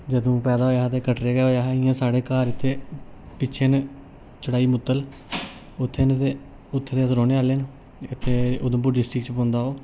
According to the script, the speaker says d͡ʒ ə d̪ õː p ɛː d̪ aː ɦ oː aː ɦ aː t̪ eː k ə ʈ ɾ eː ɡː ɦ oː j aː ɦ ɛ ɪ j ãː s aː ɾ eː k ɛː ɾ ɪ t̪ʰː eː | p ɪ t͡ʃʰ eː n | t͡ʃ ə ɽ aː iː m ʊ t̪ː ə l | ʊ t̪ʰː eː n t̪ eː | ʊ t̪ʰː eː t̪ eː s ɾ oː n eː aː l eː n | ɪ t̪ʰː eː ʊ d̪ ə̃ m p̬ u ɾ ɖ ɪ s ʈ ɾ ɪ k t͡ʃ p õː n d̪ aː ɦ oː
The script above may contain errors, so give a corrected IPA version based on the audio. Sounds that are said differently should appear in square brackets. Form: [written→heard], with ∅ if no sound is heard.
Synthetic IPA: d͡ʒ ə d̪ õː p ɛː d̪ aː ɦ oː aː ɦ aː t̪ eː k ə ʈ ɾ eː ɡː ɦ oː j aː ɦ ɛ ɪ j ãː s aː [ɾ→ɽ] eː k [ɛː→aː] ɾ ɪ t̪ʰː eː | p ɪ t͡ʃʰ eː n | t͡ʃ ə ɽ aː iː m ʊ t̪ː ə l | ʊ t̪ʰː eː n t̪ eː | ʊ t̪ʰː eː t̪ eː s ɾ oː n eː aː l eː n | ɪ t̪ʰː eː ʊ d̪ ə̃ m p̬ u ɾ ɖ ɪ s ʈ ɾ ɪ k t͡ʃ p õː n d̪ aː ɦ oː